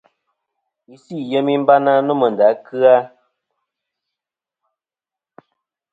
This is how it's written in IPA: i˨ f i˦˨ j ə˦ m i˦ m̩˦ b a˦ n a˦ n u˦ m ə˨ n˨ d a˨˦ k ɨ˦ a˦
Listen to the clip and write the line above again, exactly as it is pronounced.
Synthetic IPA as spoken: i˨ s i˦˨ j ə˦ m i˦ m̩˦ b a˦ n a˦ n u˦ m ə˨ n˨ d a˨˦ k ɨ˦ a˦